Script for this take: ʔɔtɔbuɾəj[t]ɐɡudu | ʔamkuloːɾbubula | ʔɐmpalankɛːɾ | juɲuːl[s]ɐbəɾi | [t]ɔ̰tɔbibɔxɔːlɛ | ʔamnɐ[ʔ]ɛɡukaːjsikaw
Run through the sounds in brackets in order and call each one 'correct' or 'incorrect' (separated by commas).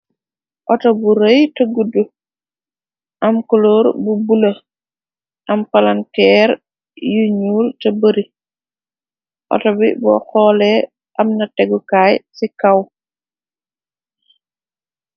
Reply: correct, incorrect, incorrect, incorrect